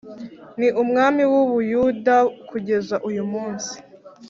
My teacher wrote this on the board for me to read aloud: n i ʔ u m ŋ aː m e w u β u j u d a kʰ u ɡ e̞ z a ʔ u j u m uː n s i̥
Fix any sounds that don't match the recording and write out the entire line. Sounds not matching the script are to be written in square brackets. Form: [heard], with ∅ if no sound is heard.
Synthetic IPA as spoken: n i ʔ u m ŋ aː m [i] w u β u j u d a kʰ u [ɟ] e̞ z a ʔ u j u m uː n s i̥